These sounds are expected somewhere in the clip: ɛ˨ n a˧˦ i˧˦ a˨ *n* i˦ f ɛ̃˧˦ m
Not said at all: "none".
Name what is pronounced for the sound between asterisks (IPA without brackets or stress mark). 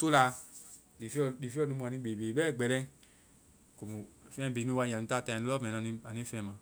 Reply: n